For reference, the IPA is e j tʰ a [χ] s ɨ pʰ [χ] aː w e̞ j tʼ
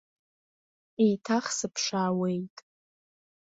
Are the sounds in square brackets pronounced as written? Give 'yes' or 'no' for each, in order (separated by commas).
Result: yes, no